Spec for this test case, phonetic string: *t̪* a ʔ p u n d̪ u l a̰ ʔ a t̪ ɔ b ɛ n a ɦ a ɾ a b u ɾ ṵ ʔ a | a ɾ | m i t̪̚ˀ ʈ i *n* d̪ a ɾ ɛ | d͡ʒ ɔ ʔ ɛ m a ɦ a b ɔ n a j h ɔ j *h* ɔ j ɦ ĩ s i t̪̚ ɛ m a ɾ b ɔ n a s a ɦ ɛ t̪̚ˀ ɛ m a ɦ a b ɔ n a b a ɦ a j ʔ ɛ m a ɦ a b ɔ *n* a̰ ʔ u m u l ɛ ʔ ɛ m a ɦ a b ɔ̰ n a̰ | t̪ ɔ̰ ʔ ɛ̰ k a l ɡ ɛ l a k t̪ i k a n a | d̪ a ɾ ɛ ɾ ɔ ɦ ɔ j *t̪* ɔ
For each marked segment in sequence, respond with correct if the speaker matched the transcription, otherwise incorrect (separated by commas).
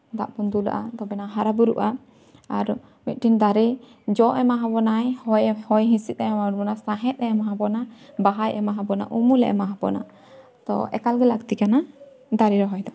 incorrect, correct, correct, correct, incorrect